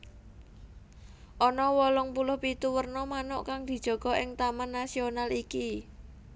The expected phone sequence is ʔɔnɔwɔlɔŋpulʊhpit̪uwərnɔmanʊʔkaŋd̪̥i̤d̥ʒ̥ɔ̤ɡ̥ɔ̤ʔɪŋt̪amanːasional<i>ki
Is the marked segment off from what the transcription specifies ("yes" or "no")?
no